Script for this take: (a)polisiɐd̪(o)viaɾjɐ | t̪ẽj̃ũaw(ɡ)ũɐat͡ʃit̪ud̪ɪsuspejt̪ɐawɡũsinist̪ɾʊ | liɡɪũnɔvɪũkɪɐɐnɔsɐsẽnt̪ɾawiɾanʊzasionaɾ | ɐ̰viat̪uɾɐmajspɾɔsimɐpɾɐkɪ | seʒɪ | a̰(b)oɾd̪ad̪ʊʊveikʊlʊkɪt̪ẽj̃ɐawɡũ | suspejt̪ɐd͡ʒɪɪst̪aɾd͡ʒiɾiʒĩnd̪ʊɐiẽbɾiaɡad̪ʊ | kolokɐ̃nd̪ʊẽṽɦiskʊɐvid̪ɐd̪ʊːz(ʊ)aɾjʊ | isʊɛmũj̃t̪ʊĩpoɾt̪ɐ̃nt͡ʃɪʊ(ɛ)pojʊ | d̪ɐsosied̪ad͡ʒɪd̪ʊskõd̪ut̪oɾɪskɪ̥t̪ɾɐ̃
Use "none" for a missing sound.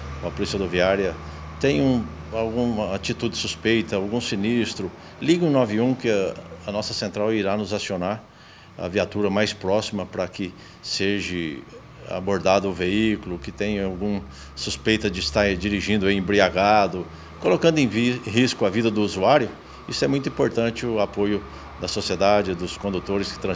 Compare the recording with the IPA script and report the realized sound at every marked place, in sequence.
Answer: ɐ, o, ɡ, b, u, a

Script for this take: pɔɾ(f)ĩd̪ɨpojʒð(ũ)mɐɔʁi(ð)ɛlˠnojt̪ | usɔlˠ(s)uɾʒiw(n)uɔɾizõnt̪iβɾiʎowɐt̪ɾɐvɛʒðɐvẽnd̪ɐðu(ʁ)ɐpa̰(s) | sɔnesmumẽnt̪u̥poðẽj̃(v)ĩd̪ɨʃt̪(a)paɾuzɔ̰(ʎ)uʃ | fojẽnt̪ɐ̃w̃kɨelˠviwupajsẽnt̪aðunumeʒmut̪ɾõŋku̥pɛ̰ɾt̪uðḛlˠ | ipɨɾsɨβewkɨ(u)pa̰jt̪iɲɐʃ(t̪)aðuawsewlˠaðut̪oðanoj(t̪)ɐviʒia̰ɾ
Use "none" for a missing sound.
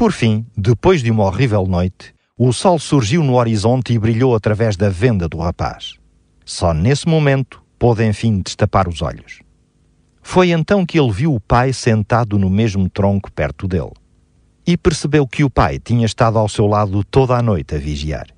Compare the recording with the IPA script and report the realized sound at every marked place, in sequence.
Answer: f, u, v, s, n, ʁ, ʃ, f, ɐ, ʎ, u, t̪, t̪

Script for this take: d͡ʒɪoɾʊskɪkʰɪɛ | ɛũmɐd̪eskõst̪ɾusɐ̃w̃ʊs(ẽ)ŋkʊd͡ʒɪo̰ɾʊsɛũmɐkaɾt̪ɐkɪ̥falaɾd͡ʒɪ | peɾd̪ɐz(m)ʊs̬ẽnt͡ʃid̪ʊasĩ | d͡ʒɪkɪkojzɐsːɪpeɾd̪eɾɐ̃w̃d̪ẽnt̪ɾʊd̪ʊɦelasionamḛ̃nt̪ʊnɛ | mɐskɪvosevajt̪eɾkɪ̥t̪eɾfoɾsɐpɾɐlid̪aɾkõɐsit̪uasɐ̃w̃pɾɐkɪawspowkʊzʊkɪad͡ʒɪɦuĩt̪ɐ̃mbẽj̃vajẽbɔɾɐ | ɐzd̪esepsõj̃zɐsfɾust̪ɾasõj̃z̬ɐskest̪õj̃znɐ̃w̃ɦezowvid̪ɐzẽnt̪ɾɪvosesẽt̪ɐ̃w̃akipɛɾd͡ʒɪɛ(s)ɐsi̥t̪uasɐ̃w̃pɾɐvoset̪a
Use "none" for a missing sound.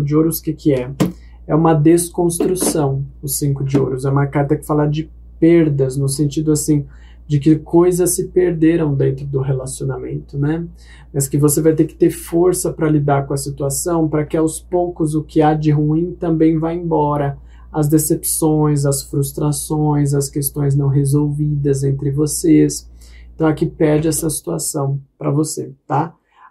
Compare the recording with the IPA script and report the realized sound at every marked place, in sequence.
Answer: ĩ, n, s

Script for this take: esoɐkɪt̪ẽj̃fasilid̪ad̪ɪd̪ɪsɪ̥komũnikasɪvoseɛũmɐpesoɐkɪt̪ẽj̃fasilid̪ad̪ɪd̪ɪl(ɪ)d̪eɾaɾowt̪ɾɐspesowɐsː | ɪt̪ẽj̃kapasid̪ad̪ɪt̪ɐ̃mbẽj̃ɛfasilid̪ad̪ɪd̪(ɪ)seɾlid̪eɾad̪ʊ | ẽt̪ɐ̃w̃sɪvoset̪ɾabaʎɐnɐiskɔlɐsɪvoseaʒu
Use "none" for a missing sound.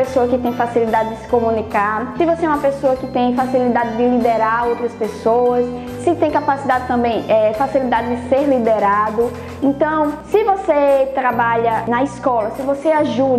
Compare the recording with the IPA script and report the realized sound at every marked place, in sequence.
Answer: i, ɪ

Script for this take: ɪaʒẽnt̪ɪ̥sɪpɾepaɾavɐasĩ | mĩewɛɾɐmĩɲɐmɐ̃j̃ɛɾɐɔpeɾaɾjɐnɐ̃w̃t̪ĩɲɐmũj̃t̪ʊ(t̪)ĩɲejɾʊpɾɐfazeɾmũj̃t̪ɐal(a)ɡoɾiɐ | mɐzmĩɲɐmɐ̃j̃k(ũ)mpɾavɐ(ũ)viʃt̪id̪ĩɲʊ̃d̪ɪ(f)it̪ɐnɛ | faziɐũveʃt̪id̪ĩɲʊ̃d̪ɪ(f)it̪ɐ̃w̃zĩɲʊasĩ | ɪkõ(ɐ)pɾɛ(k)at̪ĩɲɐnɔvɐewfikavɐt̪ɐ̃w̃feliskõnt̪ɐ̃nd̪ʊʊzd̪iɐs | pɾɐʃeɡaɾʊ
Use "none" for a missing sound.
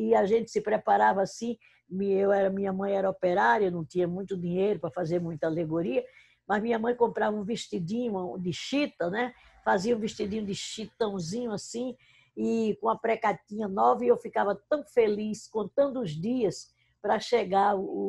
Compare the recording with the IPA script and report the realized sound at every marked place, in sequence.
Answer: d̪, e, õ, ũ, ʃ, ʃ, ɐ, k

